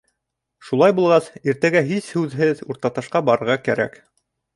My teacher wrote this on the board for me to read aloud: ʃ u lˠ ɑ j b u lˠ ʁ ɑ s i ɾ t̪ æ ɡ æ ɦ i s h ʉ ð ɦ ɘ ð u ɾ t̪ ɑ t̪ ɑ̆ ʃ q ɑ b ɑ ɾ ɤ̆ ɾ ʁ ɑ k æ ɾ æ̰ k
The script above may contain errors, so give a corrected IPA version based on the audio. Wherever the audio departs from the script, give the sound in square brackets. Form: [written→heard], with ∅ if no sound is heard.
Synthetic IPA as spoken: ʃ u lˠ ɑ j b u lˠ ʁ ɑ s i ɾ t̪ æ ɡ æ ɦ i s h ʉ ð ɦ ɘ ð u ɾ t̪ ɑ t̪ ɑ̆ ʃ q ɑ b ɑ ɾ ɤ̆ ɾ ʁ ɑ k æ ɾ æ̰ k